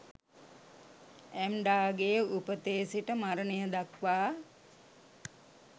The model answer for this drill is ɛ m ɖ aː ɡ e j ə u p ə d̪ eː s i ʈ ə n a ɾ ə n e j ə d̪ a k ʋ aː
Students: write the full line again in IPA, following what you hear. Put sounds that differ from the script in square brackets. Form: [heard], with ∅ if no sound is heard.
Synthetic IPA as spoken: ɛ m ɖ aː ɡ e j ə u p ə [t̪] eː s i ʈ ə [m] a ɾ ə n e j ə d̪ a k ʋ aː